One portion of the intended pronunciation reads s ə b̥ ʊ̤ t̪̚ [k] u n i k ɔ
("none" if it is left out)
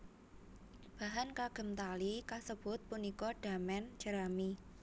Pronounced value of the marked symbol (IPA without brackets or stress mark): p